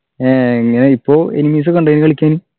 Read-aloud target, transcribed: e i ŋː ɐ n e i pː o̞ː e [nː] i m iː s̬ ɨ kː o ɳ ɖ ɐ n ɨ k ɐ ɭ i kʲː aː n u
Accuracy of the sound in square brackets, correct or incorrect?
incorrect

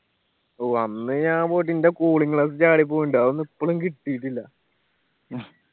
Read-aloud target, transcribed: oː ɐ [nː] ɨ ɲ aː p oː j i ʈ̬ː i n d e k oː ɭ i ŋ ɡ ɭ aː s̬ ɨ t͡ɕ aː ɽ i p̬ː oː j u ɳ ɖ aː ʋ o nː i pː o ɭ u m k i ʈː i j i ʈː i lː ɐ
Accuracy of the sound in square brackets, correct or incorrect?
correct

